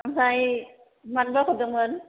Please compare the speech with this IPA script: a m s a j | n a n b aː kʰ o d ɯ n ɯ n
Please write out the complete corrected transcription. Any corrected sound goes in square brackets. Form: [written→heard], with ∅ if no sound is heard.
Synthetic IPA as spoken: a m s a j | [n→m] a n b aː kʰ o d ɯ [n→m] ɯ n